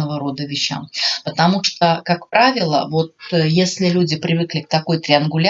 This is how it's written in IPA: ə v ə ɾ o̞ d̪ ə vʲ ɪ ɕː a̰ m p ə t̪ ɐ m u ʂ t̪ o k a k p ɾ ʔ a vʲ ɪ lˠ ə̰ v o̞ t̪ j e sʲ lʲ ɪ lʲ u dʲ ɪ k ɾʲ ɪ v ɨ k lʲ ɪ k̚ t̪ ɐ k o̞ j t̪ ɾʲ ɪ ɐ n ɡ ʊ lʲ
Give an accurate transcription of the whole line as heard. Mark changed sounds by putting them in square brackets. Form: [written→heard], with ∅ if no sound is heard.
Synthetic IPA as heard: ə v ə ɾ o̞ d̪ ə vʲ ɪ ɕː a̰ m p ə t̪ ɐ m u ʂ t̪ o k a k p ɾ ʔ a vʲ ɪ lˠ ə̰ v o̞ t̪ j e sʲ lʲ ɪ lʲ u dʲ ɪ [k→p] ɾʲ ɪ v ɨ k lʲ ɪ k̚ t̪ ɐ k o̞ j t̪ ɾʲ ɪ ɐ n ɡ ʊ lʲ